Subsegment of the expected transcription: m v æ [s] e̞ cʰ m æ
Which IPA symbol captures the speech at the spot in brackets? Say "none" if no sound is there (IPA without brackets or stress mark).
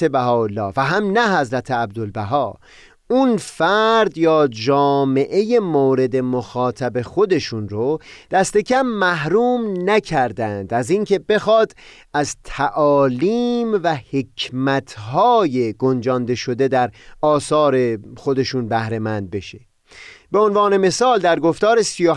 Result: h